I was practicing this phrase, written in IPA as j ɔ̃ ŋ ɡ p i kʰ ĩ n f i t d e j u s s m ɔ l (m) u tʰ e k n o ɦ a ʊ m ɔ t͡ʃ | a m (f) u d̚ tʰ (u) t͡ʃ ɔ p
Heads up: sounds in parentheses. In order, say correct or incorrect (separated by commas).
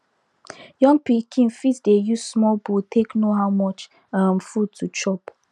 incorrect, correct, correct